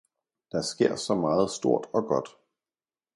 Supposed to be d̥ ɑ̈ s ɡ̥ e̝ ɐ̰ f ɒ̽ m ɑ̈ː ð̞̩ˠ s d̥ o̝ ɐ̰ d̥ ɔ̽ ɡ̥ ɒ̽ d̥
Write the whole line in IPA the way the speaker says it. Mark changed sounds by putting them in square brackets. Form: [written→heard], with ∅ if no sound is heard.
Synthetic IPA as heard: d̥ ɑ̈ s ɡ̥ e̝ ɐ̰ [f→s] ɒ̽ m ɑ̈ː ð̞̩ˠ s d̥ o̝ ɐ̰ d̥ [ɔ̽→ɒ̽] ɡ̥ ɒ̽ d̥